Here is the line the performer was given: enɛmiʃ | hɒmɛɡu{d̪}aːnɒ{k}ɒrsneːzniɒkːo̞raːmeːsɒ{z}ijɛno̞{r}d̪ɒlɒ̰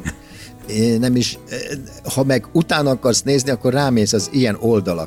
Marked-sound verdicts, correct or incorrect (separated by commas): incorrect, correct, correct, incorrect